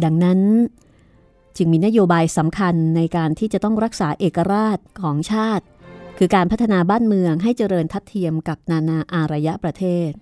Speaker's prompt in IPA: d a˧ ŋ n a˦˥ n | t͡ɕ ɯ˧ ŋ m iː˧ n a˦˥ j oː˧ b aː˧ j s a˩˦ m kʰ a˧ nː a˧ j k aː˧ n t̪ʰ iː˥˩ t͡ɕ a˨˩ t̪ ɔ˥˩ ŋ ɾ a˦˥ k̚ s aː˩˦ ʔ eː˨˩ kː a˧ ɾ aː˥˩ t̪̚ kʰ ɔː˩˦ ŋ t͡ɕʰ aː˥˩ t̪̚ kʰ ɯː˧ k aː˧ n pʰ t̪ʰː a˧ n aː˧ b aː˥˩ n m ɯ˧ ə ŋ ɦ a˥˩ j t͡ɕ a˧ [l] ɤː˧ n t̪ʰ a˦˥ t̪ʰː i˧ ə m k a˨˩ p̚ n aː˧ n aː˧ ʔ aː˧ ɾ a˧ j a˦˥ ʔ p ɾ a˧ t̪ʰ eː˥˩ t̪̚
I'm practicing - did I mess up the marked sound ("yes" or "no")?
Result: yes